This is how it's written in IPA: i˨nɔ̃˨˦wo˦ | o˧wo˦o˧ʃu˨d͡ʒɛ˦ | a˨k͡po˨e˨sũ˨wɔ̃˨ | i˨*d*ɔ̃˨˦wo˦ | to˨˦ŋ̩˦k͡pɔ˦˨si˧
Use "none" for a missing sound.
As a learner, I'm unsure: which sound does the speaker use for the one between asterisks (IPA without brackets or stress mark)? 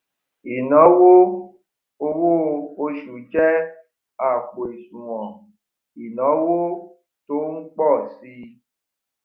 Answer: n